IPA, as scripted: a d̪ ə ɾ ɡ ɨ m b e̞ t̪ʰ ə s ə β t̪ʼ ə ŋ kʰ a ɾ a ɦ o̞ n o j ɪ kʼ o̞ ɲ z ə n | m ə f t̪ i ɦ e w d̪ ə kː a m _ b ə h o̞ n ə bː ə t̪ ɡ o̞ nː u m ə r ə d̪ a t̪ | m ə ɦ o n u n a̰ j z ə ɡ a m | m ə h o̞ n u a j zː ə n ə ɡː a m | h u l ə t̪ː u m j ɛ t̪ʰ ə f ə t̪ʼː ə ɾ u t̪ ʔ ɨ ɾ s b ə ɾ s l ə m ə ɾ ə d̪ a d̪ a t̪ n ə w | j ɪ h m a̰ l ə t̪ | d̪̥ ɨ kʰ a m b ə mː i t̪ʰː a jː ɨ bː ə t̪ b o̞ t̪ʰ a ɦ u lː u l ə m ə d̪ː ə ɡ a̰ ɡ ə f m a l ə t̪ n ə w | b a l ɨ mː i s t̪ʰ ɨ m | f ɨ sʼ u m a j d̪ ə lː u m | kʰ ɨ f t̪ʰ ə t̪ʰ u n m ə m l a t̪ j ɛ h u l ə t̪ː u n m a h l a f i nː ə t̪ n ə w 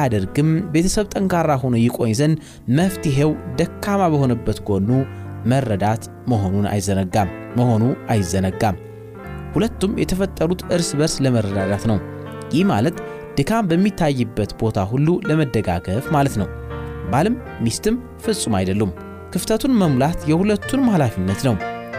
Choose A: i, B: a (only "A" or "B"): B